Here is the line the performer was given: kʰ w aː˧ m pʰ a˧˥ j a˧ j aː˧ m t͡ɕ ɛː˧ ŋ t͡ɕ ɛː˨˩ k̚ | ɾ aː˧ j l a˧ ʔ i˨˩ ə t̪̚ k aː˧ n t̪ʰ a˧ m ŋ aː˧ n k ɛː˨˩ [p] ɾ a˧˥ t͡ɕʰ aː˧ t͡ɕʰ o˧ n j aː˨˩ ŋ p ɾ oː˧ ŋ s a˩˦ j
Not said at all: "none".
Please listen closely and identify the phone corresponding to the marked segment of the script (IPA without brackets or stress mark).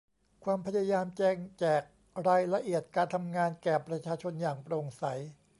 p